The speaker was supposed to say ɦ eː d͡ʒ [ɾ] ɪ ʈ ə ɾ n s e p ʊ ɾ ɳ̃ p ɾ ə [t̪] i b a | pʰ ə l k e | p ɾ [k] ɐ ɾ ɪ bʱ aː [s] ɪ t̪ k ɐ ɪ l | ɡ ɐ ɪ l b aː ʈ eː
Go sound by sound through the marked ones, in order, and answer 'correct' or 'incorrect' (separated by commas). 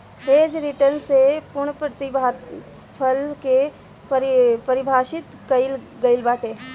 correct, correct, incorrect, incorrect